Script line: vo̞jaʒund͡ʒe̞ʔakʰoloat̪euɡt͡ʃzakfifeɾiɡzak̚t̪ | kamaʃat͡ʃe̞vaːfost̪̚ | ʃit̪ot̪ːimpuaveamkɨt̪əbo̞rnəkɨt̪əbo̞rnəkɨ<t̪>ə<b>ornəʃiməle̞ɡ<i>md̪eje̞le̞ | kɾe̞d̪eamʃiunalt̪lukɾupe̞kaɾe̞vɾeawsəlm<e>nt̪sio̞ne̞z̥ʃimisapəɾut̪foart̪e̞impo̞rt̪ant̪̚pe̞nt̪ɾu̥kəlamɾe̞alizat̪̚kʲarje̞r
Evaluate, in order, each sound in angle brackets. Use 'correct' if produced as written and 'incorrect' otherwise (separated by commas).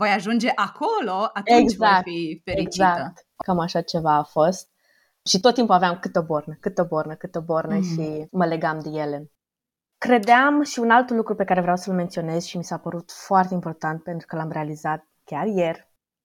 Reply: correct, correct, incorrect, correct